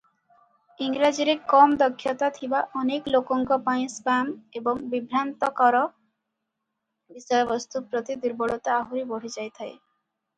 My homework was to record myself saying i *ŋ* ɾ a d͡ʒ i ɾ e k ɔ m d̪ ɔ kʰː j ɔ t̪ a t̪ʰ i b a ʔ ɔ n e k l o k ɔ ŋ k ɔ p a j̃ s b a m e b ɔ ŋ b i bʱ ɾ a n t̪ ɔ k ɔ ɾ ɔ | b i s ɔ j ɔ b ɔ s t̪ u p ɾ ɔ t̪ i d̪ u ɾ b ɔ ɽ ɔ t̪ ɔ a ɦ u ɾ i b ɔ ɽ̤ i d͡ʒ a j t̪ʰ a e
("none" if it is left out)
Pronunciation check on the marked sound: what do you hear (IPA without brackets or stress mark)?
ŋ